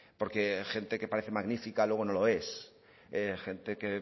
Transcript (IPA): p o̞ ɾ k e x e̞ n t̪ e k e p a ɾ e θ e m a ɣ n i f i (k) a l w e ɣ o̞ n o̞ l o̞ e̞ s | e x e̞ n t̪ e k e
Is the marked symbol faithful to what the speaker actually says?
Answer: yes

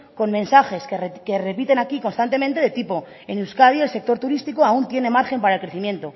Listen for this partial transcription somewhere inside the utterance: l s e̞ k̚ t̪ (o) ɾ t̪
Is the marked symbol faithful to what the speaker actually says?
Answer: yes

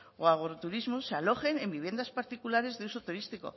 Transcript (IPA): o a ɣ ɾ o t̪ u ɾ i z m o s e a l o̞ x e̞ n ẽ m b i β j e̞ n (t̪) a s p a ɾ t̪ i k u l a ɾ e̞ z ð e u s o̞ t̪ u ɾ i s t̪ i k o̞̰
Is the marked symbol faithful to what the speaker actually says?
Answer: no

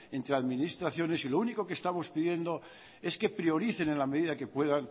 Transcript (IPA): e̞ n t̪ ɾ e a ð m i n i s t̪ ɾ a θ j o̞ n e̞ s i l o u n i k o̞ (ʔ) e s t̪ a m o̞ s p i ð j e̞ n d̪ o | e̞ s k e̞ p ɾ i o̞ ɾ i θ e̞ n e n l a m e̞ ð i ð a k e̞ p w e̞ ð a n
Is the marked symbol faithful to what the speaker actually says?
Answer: no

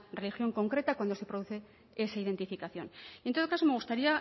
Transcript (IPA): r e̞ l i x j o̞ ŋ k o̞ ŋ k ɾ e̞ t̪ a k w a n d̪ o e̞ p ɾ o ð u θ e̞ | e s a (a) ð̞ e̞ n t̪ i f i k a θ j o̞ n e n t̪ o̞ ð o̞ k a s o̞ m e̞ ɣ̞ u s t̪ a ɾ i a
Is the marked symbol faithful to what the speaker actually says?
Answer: no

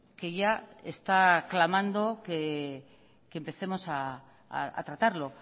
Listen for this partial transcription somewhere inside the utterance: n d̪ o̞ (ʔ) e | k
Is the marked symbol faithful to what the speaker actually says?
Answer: no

